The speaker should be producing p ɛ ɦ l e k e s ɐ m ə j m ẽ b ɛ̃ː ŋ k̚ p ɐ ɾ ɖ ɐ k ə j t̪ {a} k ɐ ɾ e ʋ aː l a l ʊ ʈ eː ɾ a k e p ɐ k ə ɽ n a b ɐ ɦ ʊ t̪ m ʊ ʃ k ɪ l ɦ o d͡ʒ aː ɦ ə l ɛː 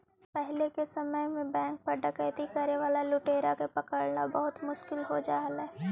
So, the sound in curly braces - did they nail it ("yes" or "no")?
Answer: no